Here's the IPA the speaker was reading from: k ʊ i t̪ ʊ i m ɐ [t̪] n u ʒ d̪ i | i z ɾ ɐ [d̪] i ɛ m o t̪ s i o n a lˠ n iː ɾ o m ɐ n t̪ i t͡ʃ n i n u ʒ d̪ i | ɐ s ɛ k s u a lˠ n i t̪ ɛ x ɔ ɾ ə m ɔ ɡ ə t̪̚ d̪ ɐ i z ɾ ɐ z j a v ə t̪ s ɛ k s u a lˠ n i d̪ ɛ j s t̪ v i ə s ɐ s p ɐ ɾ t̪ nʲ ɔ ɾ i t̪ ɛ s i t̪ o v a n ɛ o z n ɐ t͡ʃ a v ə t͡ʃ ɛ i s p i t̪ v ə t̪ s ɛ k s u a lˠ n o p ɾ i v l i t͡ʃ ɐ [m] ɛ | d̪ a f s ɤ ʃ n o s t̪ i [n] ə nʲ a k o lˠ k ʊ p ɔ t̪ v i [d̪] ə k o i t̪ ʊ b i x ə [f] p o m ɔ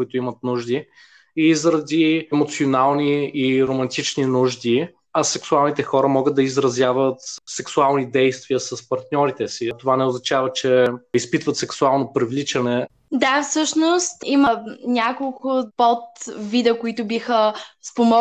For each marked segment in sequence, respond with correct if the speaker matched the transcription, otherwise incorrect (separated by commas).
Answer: correct, correct, incorrect, incorrect, correct, incorrect